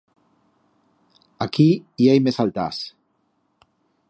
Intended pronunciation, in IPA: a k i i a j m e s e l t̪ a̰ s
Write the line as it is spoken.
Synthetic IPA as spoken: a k i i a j m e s a l t̪ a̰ s